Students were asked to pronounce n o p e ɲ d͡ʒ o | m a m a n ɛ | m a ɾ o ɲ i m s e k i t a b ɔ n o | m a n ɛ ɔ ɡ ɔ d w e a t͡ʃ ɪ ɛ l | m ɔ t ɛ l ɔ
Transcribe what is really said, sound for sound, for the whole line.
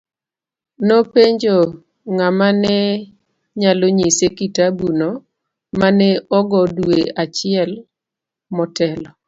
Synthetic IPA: n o p e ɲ d͡ʒ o | ŋ a m a n ɛ | ɲ a l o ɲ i s e k i t a b u n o | m a n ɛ ɔ ɡ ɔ d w e a t͡ʃ ɪ ɛ l | m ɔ t ɛ l ɔ